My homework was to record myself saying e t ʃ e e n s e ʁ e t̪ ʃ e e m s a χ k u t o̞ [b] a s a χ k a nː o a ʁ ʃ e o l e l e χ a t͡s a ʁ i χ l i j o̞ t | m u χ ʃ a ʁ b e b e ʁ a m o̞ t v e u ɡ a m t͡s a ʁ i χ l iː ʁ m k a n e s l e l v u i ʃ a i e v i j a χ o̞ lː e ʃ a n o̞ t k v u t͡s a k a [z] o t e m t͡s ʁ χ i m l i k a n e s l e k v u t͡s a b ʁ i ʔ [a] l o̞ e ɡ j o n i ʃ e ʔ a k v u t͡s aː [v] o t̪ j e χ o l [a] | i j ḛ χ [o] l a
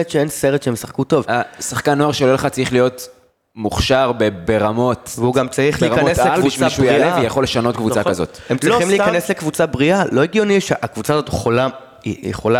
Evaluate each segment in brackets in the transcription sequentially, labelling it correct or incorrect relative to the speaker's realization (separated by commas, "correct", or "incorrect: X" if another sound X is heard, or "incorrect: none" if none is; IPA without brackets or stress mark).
incorrect: v, correct, correct, incorrect: z, correct, correct